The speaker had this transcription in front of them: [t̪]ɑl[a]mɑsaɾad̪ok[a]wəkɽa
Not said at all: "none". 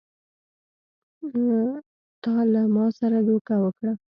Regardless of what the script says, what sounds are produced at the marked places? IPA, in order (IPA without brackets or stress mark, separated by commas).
t̪, a, a